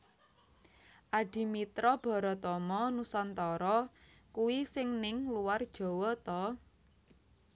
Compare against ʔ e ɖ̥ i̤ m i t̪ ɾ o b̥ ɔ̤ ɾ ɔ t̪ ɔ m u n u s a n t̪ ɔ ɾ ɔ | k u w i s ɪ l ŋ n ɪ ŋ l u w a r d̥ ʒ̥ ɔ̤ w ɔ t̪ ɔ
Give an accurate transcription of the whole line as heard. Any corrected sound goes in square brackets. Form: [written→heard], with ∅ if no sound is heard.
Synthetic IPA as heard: ʔ [e→a] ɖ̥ i̤ m i t̪ ɾ [o→ɔ] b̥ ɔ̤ ɾ ɔ t̪ ɔ m [u→ɔ] n u s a n t̪ ɔ ɾ ɔ | k u w i s ɪ [l→∅] ŋ n ɪ ŋ l u w a r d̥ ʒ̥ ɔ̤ w ɔ t̪ ɔ